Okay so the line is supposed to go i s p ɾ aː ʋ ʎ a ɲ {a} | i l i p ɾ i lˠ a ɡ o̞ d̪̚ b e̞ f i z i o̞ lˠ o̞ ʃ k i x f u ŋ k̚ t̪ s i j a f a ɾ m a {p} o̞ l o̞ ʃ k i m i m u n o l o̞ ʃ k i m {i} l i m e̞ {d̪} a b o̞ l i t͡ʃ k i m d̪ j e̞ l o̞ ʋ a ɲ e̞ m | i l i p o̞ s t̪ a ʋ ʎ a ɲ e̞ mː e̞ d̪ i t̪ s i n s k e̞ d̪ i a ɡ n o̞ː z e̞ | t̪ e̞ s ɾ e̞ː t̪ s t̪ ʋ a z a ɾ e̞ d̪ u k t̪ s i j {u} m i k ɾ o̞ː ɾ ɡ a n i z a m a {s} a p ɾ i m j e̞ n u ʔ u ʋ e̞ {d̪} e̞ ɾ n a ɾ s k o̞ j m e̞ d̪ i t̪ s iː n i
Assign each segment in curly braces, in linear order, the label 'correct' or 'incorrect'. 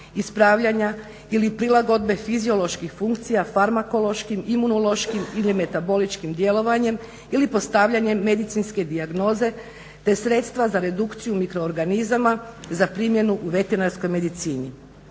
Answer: correct, incorrect: k, correct, incorrect: t̪, correct, incorrect: z, incorrect: t̪

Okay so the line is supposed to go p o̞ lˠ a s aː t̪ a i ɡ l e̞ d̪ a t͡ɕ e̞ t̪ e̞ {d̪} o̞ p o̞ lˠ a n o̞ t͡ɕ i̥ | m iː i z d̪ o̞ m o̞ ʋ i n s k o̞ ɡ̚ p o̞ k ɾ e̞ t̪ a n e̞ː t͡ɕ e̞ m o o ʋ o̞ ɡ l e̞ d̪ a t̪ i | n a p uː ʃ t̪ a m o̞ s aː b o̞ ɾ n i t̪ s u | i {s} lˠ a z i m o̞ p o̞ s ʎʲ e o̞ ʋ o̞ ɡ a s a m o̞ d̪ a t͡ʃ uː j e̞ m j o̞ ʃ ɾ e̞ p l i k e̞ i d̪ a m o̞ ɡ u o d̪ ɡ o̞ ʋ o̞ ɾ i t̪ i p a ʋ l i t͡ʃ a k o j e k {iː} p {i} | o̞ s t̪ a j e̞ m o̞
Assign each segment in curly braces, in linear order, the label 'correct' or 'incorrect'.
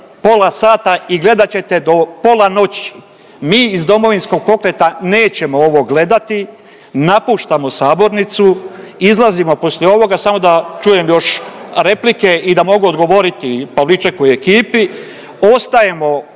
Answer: correct, incorrect: z, correct, correct

